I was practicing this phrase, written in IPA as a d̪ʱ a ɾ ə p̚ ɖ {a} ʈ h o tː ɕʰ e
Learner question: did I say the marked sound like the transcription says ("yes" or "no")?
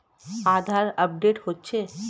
no